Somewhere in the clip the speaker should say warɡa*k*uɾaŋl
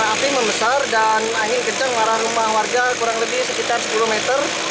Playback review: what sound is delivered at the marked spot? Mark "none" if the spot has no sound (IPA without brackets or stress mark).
k